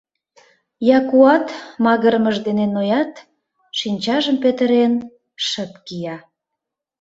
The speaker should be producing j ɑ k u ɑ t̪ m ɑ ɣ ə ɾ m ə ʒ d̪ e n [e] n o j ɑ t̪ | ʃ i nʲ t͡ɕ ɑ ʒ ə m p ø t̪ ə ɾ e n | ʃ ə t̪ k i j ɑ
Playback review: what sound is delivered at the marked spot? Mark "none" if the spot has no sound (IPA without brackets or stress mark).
e